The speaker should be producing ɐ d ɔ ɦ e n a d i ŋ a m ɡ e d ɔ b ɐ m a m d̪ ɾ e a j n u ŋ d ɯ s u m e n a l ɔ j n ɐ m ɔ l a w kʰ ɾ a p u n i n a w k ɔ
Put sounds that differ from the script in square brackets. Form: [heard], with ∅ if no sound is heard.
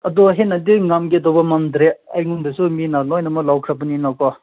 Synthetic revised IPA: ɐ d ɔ ɦ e n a d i ŋ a m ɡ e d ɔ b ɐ m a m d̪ ɾ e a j [ŋ] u [n] d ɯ s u m [i] n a l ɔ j n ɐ m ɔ l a w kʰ ɾ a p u n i n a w k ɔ